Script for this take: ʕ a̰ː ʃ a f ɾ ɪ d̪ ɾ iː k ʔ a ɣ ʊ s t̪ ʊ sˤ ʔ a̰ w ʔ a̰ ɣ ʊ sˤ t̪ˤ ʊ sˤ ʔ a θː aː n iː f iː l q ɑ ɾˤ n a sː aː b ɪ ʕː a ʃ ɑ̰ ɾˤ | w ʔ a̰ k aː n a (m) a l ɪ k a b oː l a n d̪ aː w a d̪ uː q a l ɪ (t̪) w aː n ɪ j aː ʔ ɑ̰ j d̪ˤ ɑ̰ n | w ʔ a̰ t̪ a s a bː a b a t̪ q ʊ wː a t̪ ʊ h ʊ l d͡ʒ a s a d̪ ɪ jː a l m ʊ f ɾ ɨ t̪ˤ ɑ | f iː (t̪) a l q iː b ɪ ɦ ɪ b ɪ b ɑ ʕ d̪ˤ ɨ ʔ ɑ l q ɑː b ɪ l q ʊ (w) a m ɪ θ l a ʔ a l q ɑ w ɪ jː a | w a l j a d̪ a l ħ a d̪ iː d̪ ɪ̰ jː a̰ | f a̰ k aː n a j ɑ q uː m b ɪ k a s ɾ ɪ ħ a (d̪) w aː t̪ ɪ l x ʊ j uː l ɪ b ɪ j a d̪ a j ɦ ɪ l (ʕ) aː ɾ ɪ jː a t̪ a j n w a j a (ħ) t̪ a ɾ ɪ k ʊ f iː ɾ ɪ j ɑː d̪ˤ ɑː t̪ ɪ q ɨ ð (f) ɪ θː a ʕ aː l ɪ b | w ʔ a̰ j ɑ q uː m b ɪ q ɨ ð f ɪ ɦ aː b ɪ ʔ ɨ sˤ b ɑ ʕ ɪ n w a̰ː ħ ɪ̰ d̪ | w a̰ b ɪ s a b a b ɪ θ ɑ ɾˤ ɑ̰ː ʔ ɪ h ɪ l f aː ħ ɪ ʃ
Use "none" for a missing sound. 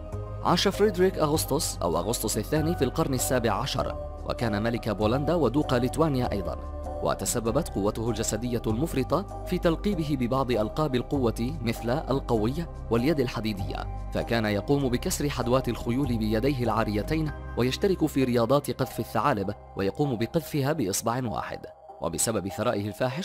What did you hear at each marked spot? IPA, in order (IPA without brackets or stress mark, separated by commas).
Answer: m, t̪, t̪, wː, d̪, ʕ, ʃ, f